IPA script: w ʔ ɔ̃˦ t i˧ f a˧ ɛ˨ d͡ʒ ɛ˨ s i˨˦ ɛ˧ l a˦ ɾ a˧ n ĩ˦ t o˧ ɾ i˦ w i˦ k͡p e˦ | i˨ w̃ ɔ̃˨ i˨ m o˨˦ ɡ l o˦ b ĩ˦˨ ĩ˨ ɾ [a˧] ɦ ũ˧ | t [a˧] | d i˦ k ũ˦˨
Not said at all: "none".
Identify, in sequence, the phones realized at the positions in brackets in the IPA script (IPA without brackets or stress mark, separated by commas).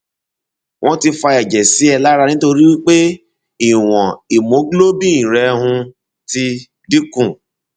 ɛ˧, i˧